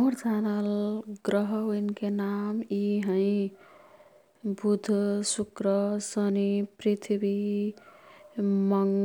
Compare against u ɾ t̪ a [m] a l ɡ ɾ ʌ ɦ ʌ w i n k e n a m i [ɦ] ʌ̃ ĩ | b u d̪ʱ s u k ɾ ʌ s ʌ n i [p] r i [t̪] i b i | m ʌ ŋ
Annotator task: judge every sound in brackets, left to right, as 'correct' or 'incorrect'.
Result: incorrect, correct, correct, incorrect

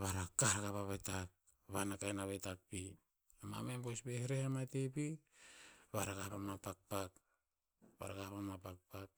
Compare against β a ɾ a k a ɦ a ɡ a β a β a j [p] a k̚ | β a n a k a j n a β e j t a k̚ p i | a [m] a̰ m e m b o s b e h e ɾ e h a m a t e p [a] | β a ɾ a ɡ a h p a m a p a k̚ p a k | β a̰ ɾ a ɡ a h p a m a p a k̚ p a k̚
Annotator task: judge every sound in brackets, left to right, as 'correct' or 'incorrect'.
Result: incorrect, correct, incorrect

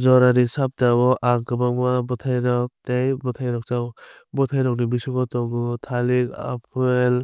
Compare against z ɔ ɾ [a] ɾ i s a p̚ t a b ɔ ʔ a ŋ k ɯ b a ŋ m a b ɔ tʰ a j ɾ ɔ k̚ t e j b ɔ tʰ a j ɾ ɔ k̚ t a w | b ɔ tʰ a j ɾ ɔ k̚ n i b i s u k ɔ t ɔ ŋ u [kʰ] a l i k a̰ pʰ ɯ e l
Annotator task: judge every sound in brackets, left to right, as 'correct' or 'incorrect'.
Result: correct, incorrect

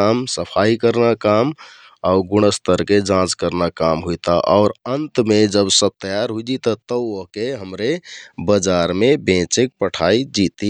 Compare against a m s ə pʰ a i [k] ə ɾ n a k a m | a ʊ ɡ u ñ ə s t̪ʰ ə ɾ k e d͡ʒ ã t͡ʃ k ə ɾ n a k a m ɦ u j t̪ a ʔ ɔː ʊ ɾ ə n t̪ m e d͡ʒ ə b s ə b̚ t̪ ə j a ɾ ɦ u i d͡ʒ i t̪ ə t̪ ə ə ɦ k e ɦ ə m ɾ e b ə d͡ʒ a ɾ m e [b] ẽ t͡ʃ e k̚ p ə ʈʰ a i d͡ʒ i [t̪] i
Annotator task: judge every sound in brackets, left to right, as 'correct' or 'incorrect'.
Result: correct, correct, correct

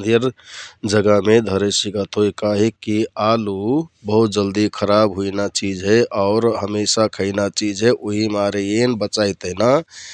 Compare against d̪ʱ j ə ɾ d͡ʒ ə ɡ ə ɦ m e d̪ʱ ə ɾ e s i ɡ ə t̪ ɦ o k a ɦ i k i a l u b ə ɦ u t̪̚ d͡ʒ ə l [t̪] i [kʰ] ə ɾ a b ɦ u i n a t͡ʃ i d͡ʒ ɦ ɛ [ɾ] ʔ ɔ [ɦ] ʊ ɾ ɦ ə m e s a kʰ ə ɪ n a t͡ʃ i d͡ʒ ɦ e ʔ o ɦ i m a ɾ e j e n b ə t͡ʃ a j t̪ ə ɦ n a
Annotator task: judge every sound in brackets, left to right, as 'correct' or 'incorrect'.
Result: incorrect, correct, incorrect, incorrect

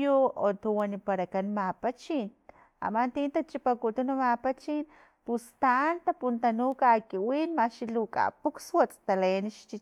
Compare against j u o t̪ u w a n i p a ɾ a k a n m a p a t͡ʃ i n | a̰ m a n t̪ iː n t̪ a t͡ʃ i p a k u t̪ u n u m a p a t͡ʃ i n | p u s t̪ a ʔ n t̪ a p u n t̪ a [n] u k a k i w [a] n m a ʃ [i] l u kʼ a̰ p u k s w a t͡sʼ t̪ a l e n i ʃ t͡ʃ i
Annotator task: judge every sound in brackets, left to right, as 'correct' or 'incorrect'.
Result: correct, incorrect, correct

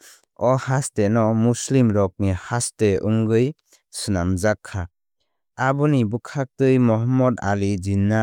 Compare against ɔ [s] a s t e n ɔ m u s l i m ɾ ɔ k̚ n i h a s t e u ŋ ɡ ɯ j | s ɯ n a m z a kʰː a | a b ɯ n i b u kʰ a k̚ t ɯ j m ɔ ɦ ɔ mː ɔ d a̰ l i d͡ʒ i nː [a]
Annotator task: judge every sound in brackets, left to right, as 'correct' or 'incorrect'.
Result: incorrect, correct

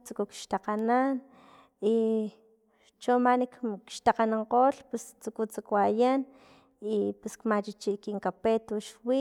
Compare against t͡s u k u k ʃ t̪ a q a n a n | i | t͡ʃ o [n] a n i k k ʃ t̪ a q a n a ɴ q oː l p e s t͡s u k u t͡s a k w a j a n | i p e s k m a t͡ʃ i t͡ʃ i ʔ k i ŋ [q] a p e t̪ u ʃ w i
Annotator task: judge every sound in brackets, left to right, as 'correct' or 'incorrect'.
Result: incorrect, incorrect

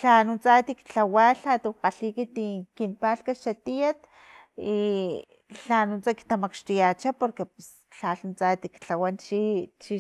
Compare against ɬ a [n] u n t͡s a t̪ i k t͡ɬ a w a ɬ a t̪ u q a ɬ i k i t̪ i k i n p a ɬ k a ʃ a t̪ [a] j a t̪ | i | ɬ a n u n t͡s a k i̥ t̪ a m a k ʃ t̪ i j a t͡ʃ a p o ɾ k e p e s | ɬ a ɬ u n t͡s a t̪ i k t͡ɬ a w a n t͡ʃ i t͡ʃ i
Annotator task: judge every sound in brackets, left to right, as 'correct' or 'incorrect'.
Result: correct, incorrect

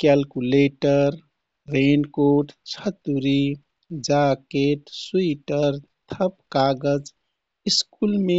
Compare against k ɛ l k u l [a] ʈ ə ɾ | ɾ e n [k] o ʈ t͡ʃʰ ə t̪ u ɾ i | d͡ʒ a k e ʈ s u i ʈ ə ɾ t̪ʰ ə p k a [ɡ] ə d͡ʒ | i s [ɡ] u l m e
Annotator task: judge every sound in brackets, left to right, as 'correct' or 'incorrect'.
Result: incorrect, correct, correct, incorrect

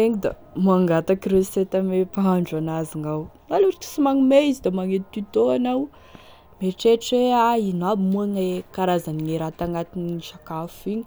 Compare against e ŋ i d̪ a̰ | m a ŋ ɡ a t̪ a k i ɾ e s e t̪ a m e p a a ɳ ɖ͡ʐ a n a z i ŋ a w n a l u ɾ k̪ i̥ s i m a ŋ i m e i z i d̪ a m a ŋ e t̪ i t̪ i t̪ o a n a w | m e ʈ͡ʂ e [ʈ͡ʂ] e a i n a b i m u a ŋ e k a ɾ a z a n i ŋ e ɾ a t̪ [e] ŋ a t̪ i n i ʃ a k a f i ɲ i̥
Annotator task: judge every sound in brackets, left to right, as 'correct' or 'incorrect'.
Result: correct, incorrect

